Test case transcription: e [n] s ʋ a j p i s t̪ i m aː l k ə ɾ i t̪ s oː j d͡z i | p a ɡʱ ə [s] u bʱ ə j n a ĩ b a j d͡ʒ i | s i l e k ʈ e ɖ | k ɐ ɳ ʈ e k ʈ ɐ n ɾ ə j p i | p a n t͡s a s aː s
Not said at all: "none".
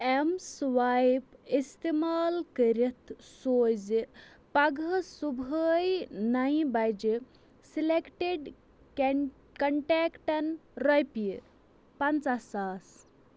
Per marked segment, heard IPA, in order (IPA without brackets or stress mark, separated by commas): m, s